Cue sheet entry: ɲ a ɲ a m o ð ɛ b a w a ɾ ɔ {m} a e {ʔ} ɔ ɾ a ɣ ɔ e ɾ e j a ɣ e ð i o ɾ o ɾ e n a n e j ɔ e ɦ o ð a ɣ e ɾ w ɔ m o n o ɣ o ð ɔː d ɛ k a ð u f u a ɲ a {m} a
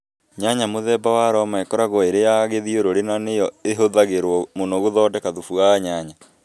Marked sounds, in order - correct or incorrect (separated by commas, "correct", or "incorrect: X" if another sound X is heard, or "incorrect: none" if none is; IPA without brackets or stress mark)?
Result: correct, incorrect: k, incorrect: ɲ